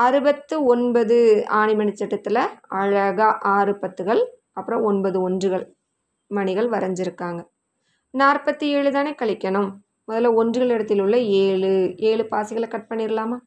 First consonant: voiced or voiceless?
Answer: voiced